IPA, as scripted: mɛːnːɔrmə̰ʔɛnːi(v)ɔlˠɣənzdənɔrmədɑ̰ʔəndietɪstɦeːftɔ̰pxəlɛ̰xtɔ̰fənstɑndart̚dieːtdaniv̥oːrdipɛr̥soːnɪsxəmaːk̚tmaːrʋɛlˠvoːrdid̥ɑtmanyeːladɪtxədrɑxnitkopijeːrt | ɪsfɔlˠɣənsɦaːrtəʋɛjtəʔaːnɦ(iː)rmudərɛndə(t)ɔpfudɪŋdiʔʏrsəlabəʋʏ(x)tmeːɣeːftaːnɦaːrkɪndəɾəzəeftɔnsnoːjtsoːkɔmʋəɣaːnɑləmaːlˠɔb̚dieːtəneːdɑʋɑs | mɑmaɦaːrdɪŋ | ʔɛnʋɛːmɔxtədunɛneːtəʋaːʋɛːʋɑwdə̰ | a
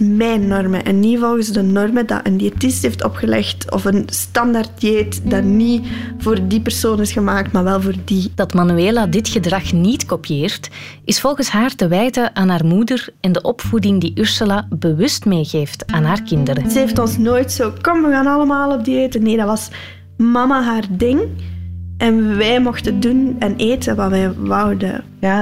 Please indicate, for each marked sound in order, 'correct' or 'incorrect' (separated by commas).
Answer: correct, incorrect, incorrect, incorrect